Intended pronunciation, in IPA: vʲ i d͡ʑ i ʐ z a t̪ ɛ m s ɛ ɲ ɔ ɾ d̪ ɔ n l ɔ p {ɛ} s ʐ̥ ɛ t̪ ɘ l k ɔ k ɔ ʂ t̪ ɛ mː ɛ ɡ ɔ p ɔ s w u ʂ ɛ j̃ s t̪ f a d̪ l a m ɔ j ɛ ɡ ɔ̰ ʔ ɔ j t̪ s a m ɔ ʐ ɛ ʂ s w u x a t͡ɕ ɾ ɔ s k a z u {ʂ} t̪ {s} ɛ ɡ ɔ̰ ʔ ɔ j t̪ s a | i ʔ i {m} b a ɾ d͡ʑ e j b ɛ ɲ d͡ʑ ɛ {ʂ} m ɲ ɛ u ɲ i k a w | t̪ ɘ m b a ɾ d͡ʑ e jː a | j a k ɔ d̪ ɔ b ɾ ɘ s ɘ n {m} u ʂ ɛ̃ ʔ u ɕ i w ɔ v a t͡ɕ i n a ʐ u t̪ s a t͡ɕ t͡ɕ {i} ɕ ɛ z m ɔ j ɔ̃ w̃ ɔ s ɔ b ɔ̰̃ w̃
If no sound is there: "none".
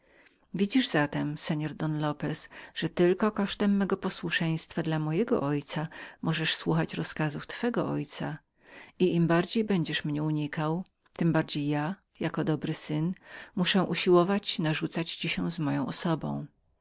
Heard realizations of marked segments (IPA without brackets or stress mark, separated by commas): ɛ, f, f, m, ʂ, m, i